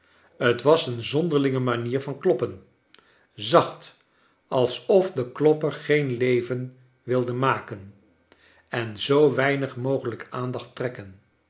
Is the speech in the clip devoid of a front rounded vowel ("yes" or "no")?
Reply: yes